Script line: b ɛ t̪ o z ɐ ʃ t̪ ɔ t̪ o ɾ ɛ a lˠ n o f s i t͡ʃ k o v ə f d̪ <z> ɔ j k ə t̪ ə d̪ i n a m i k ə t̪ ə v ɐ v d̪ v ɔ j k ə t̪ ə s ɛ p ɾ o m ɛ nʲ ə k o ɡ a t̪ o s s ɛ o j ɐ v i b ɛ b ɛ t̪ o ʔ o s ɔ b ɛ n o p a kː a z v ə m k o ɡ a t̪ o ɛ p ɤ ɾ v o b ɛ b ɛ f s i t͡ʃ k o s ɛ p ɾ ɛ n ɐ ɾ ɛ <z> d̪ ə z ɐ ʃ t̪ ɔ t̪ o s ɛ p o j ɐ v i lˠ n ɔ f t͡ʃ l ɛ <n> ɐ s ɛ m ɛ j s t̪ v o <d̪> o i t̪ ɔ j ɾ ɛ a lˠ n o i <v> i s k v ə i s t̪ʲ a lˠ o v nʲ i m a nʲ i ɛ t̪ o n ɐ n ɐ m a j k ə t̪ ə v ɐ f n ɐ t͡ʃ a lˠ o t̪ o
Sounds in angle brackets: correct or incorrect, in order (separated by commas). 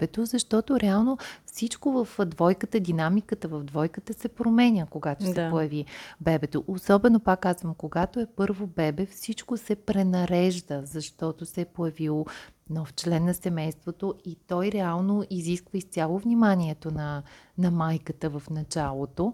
incorrect, incorrect, incorrect, incorrect, incorrect